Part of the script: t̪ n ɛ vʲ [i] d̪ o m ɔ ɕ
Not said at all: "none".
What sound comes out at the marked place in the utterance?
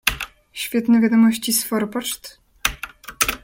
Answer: a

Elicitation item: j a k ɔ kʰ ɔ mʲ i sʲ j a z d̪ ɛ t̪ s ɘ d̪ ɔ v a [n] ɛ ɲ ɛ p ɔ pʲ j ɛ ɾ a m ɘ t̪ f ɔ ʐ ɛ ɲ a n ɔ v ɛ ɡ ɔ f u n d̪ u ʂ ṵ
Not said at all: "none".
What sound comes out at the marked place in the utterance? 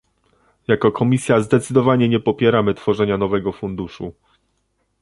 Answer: ɲ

